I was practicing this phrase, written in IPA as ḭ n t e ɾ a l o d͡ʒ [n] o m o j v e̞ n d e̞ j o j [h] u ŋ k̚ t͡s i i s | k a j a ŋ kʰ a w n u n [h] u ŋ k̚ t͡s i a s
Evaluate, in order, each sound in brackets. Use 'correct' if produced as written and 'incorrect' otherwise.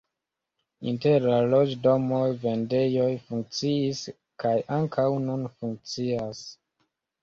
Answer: incorrect: d, incorrect: f, incorrect: f

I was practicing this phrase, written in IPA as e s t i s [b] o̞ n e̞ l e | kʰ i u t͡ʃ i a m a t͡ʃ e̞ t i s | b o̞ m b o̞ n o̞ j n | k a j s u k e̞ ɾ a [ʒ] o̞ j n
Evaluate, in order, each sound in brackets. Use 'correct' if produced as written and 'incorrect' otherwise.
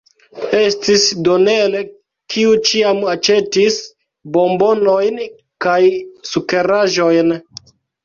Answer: incorrect: d, correct

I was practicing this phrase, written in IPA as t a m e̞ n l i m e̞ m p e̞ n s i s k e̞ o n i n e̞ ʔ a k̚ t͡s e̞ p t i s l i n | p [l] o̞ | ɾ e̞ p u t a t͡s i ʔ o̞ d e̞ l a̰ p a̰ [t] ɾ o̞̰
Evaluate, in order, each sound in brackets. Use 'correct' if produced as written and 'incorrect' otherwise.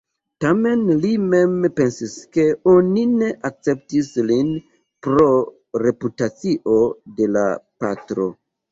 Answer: incorrect: ɾ, correct

